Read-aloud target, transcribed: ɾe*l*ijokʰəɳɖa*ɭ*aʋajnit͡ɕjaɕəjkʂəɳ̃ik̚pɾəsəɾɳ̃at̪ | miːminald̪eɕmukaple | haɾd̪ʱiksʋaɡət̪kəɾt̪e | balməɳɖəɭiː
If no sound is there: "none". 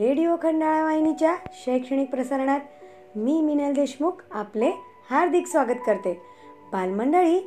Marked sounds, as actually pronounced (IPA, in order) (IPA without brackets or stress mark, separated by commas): ɽ, ɭ